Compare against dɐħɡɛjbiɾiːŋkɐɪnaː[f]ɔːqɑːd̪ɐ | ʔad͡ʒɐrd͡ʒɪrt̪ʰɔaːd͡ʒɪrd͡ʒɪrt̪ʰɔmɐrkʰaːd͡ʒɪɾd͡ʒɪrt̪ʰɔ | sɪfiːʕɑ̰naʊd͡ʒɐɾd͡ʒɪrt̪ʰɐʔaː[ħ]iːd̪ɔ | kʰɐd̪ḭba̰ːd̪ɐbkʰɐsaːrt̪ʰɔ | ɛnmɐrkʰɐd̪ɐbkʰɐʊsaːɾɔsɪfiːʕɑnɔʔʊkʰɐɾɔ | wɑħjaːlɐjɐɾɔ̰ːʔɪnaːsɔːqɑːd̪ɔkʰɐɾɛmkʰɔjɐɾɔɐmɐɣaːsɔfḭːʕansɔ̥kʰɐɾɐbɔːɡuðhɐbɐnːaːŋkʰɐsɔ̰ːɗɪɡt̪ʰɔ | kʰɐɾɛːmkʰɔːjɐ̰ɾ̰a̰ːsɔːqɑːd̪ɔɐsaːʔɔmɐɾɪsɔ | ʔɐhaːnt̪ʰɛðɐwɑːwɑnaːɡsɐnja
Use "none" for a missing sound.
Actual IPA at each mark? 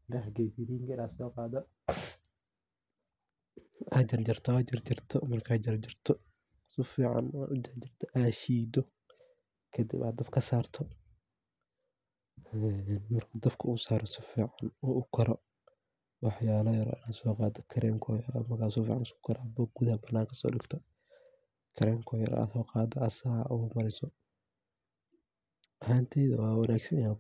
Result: s, ʃ

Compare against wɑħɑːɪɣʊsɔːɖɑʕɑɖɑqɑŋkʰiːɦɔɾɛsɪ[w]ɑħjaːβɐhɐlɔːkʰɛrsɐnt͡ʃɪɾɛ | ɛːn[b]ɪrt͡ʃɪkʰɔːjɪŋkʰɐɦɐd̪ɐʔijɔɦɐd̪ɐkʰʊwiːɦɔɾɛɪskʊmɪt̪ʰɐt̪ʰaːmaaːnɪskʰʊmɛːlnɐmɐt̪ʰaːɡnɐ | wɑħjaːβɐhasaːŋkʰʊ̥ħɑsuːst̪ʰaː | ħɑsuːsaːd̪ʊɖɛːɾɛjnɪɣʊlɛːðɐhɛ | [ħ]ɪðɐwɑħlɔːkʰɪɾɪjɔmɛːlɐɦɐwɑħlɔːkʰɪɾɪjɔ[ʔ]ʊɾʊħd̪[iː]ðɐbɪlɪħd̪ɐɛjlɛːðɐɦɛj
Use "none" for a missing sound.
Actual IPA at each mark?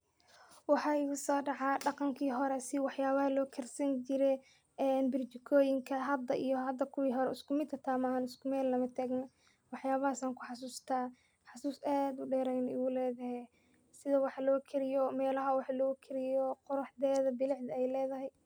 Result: w, b, s, q, ɛː

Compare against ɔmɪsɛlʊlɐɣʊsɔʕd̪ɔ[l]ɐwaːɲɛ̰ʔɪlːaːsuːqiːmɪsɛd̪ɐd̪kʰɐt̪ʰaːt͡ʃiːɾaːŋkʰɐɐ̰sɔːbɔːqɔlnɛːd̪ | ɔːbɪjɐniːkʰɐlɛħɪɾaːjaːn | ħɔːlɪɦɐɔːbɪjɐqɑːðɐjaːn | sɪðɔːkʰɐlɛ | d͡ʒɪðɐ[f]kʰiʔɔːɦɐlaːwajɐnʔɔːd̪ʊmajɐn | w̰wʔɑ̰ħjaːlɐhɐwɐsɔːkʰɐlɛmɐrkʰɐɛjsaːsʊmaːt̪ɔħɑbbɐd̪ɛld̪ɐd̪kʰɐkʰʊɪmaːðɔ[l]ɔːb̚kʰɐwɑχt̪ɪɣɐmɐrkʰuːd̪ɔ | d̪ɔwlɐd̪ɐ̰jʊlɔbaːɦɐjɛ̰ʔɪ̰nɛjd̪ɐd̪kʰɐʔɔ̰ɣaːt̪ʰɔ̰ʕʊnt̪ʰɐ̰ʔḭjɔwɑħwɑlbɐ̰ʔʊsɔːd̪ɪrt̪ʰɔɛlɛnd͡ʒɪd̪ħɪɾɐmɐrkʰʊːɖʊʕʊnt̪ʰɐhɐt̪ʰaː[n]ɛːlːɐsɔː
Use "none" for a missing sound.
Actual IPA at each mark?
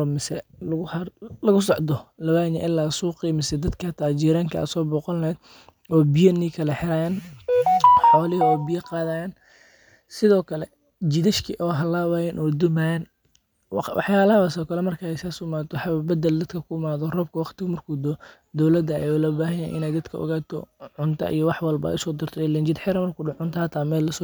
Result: l, ʃ, r, m

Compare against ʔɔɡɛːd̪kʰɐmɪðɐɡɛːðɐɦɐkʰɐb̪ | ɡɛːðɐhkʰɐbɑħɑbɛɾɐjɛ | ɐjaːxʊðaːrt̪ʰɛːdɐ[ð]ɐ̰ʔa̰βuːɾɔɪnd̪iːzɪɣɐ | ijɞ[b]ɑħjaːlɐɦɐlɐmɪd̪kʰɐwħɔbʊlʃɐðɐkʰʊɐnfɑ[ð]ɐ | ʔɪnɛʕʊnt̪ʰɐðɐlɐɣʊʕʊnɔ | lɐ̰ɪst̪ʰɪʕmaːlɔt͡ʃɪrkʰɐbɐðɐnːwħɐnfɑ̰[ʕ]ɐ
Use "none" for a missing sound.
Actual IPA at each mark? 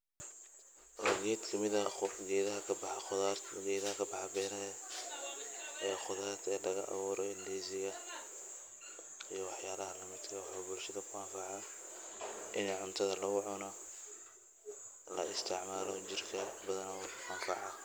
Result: ɣ, w, ʕ, ʕ

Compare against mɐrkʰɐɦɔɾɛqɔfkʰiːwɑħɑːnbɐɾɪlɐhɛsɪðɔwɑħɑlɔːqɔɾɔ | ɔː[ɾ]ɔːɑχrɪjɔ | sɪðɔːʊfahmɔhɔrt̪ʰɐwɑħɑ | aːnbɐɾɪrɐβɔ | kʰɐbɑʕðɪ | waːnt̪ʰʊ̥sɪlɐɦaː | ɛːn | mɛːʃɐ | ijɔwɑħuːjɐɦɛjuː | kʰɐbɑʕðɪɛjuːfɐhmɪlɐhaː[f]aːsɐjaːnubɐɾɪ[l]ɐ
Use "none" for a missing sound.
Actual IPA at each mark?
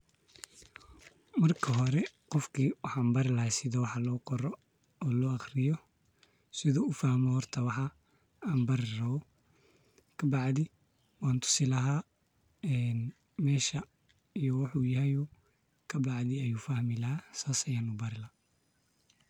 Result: l, s, l

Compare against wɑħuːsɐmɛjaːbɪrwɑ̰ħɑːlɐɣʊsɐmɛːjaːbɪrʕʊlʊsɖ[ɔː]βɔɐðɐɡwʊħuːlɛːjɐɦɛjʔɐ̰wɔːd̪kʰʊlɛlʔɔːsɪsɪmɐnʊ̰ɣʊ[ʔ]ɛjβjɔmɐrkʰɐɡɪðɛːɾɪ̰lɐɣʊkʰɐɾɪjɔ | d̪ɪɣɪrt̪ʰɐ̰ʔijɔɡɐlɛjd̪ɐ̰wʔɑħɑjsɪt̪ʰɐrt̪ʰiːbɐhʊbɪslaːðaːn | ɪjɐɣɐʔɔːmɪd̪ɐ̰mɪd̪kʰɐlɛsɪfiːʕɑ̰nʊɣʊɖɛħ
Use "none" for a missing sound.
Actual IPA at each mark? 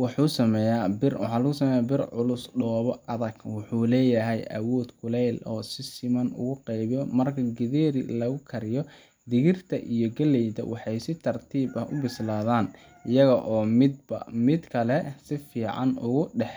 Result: ɔː, q

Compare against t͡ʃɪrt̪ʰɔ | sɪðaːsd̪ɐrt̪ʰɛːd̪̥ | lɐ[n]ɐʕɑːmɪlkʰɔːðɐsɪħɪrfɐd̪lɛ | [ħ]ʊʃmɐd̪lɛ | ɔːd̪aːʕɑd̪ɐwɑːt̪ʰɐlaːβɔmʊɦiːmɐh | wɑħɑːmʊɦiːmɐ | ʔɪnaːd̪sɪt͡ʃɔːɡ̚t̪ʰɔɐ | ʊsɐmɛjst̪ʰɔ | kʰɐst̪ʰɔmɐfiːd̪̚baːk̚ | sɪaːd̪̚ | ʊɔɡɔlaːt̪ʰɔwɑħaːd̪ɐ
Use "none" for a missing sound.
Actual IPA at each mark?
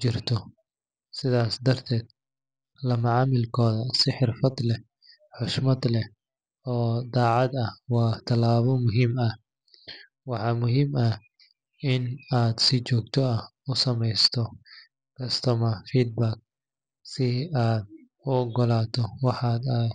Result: m, ħ

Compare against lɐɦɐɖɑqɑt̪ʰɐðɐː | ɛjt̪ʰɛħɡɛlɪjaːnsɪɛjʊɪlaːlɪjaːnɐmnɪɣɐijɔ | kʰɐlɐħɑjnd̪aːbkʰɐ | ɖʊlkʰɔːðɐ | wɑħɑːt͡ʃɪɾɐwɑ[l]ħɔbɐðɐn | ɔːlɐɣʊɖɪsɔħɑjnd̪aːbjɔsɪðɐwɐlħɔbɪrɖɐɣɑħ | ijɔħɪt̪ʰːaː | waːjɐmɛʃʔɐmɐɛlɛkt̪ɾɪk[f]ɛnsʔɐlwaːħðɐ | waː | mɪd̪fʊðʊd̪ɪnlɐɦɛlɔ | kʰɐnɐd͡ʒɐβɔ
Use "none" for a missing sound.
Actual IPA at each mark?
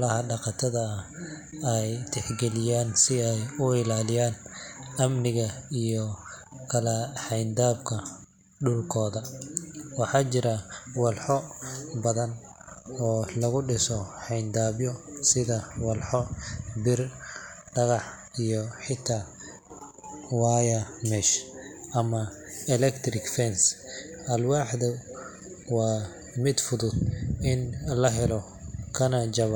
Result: l, f

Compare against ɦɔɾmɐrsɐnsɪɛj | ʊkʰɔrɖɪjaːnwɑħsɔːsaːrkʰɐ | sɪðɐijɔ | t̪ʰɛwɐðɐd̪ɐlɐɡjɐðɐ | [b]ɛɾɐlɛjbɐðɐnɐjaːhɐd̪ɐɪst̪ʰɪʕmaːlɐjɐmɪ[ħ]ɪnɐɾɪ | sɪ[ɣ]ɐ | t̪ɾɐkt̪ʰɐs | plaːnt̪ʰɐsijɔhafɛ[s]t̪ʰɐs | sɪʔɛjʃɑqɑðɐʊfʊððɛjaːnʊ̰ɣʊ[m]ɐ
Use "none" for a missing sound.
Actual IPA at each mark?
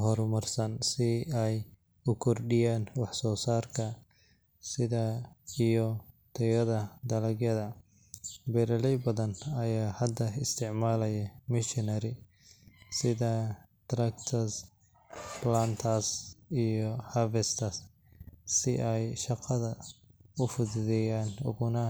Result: b, ʃ, ð, s, n

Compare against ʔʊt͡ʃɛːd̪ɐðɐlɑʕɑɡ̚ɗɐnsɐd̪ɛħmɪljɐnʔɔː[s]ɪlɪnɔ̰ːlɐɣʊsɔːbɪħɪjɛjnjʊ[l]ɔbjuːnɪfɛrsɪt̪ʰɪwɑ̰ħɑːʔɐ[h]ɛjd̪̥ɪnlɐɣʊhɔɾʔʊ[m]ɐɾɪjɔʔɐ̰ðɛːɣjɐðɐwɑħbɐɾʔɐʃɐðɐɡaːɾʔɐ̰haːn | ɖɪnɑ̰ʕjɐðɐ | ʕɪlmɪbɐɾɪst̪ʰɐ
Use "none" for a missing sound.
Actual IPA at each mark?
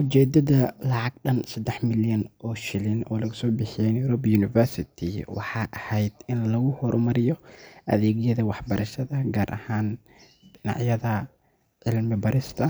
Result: ʃ, ɾ, h, m

